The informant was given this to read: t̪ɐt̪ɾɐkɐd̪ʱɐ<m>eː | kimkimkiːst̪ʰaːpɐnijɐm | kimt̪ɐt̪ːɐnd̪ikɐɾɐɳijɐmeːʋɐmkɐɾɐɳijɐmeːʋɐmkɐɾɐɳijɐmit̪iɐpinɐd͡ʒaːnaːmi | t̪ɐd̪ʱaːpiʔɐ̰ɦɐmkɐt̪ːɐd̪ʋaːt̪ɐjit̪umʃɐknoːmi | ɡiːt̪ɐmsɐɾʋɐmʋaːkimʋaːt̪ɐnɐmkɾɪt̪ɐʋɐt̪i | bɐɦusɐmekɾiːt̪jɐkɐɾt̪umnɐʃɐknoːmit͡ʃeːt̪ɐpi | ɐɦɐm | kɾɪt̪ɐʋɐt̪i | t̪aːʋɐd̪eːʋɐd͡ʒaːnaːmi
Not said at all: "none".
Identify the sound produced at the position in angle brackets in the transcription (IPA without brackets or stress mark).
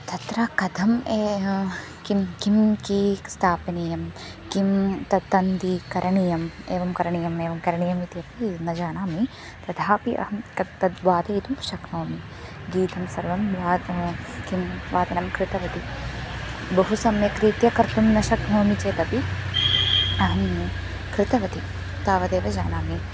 m